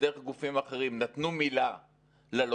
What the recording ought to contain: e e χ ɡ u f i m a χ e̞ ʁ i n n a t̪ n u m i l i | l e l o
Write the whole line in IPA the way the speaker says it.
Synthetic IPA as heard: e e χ ɡ u f i m a χ e̞ ʁ i m n a t̪ n u m i l a | l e l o